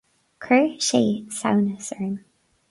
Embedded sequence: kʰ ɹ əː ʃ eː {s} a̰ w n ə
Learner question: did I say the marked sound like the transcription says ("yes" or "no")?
yes